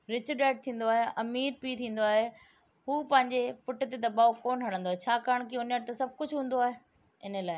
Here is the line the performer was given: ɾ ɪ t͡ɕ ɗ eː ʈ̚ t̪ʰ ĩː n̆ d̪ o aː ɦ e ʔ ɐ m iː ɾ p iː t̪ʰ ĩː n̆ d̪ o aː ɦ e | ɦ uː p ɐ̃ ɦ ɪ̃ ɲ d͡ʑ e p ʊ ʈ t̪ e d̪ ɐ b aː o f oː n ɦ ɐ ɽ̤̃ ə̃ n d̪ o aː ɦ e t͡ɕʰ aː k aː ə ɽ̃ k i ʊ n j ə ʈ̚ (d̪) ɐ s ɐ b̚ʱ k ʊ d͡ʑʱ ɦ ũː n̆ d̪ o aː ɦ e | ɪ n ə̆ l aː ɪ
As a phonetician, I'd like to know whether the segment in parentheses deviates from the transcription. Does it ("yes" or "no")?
yes